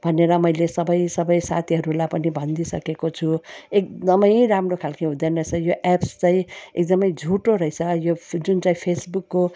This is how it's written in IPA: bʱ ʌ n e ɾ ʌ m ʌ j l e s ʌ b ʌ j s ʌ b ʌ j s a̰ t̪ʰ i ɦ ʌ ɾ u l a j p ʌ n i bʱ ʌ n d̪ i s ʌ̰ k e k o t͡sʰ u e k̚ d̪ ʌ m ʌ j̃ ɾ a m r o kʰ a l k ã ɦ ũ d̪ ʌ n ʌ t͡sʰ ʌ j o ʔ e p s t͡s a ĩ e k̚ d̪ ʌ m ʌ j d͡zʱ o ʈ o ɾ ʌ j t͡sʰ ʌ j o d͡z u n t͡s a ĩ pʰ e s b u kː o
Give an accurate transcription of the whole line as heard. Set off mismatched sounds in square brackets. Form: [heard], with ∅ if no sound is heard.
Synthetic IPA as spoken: bʱ ʌ n e ɾ ʌ m ʌ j l e s ʌ b ʌ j s ʌ b ʌ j s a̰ t̪ʰ i ɦ ʌ ɾ u l a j p ʌ n i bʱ ʌ n d̪ i s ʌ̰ k e k o t͡sʰ u e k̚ d̪ ʌ m ʌ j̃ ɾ a m r o kʰ a l k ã ɦ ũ d̪ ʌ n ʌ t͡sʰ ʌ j o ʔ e p s t͡s a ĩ e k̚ d̪ ʌ m ʌ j d͡zʱ [u] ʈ o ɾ ʌ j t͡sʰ ʌ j o d͡z u n t͡s a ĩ pʰ e s b u kː o